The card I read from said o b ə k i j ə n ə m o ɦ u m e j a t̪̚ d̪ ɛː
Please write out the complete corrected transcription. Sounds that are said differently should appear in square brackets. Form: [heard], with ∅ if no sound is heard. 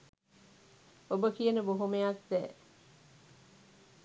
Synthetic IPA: o b ə k i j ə n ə [b] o ɦ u m e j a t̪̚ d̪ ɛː